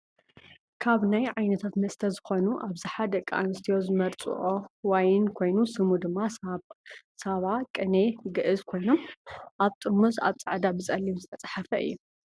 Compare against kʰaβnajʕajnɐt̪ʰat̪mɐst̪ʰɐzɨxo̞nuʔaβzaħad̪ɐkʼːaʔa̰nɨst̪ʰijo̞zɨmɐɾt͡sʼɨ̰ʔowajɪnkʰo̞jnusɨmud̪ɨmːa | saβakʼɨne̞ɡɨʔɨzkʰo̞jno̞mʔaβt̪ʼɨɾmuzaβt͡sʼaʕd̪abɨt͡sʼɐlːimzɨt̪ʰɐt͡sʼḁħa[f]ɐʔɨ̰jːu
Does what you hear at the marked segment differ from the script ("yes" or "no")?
no